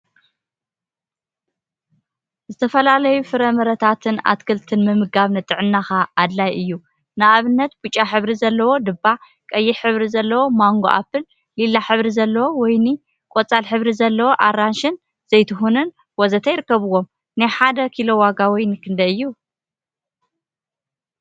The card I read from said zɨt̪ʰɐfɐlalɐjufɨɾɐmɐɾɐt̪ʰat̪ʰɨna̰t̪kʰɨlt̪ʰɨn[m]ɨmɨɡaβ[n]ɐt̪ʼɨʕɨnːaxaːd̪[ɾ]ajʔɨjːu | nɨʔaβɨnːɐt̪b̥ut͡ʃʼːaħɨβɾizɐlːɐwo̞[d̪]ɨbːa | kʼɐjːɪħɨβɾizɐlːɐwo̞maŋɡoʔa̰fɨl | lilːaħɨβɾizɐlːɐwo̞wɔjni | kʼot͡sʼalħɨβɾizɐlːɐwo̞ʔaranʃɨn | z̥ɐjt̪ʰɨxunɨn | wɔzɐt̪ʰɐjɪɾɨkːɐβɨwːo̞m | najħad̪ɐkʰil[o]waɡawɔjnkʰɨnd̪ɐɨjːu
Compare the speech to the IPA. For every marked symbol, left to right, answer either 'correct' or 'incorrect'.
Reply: correct, correct, incorrect: l, correct, correct

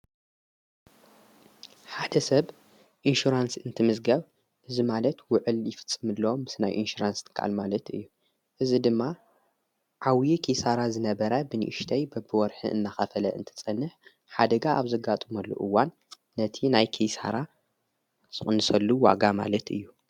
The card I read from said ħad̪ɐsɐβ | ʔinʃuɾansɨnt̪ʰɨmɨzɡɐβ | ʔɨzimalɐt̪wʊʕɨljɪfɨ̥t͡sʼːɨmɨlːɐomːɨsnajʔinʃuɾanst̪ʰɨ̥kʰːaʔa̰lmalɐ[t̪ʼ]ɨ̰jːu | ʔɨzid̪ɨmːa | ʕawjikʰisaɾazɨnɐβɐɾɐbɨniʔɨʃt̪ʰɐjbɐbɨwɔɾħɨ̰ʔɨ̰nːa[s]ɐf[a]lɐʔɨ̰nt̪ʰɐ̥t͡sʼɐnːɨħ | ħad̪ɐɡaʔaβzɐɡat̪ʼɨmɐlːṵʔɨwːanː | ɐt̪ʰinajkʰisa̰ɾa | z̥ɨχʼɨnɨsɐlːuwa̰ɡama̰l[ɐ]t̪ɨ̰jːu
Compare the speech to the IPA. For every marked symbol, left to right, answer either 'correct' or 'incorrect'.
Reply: incorrect: t̪, incorrect: x, incorrect: ɐ, correct

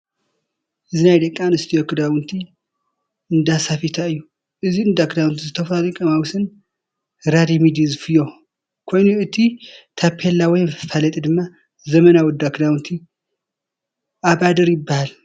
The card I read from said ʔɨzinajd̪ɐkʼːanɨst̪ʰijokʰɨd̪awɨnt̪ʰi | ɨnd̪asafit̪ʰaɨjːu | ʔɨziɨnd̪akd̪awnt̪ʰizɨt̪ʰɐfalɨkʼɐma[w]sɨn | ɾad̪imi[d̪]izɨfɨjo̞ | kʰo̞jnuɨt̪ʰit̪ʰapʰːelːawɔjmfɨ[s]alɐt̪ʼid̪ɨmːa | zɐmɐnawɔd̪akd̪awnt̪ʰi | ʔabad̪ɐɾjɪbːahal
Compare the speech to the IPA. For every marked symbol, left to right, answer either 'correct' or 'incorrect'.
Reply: correct, correct, incorrect: f

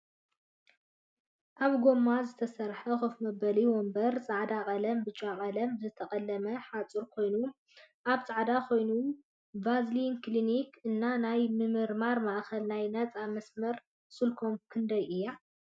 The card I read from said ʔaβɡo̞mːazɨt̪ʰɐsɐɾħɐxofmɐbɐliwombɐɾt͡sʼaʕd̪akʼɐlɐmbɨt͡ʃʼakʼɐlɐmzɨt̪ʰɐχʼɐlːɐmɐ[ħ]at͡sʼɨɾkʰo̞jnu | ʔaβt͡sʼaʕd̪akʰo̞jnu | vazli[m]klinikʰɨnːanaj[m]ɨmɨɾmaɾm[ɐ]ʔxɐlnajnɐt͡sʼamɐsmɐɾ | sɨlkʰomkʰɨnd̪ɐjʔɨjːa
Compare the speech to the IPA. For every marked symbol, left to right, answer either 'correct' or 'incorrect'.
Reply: correct, incorrect: n, correct, incorrect: a

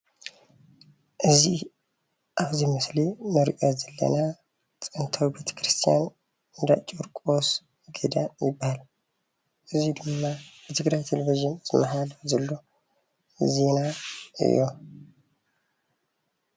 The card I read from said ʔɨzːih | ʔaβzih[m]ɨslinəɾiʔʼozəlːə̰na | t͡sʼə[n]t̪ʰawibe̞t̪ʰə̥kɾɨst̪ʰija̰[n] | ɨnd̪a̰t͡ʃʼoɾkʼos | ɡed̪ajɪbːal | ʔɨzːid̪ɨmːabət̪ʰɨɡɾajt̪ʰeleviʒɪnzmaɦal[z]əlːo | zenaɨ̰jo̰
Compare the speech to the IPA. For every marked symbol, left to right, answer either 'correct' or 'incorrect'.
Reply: correct, correct, correct, correct

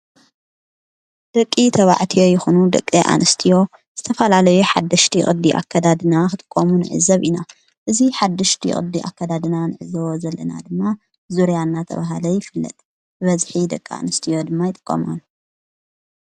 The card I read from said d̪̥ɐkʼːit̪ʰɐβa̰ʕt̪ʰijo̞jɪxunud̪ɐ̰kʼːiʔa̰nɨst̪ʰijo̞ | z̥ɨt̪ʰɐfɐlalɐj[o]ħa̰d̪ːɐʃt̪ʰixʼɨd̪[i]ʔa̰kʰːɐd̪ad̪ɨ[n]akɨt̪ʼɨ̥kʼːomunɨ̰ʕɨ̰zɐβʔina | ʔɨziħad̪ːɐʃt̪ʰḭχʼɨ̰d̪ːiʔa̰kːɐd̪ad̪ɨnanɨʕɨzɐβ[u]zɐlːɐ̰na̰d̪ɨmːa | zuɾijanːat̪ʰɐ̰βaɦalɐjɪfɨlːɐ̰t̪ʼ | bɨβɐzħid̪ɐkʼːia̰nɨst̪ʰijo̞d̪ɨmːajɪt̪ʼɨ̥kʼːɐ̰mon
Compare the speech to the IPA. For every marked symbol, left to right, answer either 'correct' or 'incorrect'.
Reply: incorrect: u, correct, correct, incorrect: o

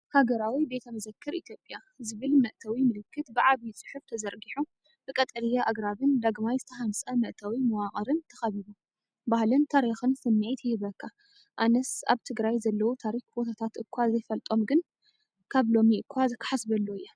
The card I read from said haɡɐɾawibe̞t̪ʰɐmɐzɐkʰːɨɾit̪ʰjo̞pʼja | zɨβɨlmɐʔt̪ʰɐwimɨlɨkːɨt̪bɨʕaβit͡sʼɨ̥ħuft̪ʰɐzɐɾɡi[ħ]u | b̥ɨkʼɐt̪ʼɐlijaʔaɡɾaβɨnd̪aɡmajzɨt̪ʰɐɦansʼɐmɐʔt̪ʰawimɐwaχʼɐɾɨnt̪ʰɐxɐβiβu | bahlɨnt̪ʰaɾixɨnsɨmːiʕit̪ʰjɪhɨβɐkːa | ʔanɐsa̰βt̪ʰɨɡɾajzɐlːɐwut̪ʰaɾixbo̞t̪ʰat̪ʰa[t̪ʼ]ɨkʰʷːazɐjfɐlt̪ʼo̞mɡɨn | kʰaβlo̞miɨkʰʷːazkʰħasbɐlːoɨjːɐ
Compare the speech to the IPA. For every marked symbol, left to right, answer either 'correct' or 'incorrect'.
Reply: correct, incorrect: t̪

